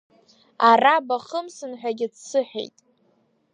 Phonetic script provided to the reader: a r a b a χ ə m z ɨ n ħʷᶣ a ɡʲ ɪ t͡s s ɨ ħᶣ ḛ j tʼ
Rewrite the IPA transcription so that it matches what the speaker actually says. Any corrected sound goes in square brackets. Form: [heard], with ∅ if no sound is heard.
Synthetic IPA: a r a b a χ ə m [s] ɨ n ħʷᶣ a ɡʲ ɪ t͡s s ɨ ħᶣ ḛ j tʼ